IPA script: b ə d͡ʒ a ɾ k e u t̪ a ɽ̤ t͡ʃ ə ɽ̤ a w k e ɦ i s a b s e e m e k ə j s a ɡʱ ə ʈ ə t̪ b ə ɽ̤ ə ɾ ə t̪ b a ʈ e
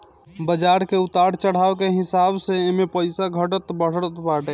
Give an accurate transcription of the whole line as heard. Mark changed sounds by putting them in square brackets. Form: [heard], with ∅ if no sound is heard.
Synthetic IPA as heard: b ə d͡ʒ a ɾ k e u t̪ a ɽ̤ t͡ʃ ə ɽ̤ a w k e ɦ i s a b s e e m e [p] ə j s a ɡʱ ə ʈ ə t̪ b ə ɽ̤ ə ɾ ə t̪ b a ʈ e